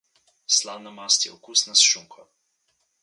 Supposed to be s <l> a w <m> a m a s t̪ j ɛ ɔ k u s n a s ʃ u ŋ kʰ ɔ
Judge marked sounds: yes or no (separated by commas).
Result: yes, no